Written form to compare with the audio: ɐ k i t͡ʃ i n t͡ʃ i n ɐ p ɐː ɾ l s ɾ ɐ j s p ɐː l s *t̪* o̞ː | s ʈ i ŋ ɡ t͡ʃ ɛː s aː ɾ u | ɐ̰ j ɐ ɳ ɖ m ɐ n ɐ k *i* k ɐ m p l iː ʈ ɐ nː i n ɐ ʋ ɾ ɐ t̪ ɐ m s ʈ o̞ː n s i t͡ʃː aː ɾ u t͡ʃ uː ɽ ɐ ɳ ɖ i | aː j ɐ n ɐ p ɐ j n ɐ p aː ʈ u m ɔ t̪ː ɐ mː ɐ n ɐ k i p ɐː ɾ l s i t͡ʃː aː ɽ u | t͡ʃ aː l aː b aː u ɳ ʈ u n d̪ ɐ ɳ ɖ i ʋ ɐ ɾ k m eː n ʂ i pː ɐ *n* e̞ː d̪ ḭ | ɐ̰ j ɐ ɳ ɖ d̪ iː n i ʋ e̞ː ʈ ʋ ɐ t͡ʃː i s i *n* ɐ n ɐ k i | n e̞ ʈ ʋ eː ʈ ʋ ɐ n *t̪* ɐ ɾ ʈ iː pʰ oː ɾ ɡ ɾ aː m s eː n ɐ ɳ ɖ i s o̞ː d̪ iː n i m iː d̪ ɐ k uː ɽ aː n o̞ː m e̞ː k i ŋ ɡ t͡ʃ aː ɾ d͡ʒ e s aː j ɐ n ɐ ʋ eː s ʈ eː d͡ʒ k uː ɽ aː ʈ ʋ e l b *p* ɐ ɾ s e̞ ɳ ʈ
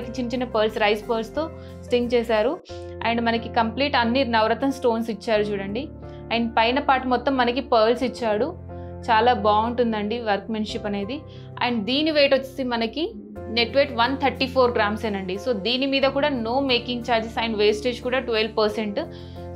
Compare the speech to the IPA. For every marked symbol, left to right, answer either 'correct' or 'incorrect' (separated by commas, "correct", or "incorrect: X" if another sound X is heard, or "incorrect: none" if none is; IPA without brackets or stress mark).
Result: correct, correct, correct, incorrect: m, incorrect: t̪ʰ, correct